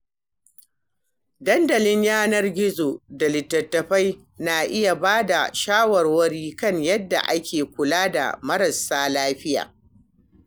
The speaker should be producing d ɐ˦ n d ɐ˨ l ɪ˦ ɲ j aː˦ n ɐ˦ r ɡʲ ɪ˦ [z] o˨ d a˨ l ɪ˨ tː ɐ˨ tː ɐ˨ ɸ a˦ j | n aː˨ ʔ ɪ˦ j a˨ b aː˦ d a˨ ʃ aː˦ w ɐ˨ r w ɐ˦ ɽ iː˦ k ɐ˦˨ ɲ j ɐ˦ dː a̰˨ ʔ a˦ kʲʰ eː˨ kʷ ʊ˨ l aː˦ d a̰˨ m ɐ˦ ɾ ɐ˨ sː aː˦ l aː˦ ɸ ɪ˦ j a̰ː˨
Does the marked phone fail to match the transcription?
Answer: no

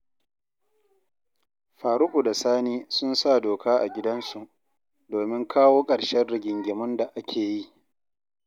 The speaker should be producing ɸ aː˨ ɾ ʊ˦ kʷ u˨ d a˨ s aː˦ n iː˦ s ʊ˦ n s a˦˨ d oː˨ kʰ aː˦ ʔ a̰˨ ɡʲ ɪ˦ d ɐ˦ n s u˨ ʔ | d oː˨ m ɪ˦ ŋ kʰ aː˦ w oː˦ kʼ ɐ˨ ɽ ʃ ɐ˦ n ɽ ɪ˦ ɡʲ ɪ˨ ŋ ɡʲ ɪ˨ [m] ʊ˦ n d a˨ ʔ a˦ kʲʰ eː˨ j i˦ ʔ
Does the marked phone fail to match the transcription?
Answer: no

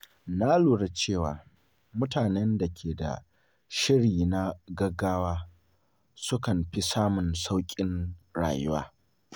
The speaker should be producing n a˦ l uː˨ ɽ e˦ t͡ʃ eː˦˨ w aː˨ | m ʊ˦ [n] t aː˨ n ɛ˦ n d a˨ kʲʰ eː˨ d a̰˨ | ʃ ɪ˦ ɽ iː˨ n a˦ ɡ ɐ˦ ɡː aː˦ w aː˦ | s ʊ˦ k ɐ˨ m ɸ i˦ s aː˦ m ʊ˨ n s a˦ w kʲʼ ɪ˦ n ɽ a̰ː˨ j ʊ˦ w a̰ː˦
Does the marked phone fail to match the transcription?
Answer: yes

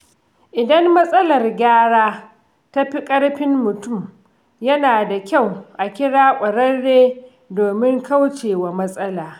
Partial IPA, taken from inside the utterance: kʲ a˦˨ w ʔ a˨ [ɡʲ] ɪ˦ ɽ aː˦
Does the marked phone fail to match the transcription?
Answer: yes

